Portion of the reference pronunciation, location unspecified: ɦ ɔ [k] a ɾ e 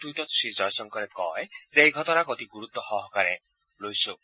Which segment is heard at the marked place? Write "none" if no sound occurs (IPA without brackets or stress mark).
k